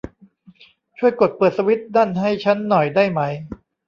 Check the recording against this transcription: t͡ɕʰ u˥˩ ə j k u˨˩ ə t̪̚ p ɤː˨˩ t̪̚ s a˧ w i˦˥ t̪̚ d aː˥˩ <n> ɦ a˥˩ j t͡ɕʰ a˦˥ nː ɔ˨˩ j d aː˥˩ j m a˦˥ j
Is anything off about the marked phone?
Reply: no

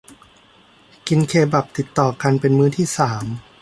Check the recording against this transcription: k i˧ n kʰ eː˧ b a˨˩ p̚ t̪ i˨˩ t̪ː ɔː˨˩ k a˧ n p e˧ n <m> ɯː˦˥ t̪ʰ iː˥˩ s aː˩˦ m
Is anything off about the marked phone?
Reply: no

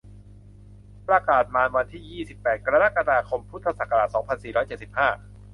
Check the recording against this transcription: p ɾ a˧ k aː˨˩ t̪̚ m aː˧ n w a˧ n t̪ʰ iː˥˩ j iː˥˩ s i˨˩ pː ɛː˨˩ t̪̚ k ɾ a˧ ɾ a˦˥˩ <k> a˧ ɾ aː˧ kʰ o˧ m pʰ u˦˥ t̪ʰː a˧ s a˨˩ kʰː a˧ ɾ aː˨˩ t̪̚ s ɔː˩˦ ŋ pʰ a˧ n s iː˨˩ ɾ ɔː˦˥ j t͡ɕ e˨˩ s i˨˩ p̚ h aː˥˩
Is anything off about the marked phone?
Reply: no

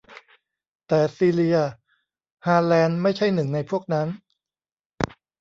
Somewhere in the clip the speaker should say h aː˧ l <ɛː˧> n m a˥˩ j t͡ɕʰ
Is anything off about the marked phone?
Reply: no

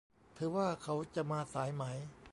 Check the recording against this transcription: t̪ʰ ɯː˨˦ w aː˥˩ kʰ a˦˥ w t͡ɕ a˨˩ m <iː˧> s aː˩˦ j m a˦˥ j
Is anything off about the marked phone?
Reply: yes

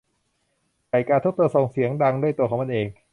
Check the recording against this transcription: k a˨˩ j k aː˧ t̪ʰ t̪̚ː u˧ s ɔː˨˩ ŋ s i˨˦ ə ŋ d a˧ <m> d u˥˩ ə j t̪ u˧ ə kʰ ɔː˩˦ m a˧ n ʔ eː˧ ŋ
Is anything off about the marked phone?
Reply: yes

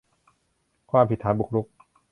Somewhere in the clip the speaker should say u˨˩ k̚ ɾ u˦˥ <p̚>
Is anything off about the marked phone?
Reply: yes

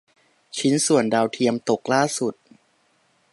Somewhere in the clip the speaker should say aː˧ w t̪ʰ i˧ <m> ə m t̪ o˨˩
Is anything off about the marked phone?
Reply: yes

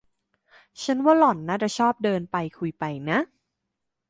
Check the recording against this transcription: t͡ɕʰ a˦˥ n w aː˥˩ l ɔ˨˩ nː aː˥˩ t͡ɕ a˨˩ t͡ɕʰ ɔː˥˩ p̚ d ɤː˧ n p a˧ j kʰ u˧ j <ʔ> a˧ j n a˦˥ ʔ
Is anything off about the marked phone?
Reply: yes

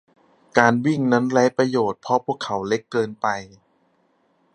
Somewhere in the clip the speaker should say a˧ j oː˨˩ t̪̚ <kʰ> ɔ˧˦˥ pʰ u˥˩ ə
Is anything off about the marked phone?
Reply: yes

